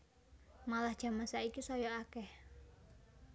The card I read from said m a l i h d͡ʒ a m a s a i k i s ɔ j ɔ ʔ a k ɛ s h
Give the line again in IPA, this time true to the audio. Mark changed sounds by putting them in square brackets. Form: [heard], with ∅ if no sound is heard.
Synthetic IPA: m a l [a] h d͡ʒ a m a s a i k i s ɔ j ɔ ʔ a k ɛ [∅] h